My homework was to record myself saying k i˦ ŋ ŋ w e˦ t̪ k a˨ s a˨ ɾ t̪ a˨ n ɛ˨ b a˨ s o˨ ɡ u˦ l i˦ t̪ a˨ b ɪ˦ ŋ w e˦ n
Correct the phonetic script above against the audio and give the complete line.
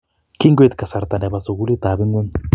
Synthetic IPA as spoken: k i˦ ŋ ɡ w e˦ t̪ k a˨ s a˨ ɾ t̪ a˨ n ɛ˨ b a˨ s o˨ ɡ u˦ l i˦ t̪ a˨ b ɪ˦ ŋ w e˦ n